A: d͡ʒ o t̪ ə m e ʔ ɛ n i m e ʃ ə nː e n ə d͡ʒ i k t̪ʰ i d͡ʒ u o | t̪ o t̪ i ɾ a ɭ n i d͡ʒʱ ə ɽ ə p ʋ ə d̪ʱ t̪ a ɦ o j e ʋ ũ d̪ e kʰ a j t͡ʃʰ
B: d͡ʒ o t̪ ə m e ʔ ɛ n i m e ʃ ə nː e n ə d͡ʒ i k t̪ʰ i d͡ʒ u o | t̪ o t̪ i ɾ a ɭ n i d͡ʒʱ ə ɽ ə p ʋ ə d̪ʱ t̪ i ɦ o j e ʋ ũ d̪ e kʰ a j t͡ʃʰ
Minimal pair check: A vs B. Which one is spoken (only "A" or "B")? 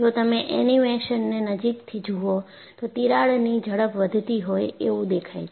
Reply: B